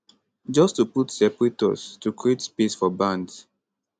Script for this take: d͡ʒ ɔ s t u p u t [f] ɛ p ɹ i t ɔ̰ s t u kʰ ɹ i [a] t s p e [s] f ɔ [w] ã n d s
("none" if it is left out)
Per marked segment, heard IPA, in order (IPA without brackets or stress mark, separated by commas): s, e, s, b